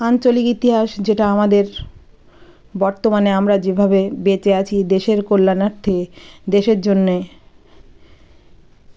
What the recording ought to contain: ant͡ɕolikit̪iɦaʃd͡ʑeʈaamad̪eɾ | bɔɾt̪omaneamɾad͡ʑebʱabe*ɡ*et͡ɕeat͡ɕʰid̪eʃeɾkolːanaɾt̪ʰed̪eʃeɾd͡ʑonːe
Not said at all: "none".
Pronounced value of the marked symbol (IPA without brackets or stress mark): b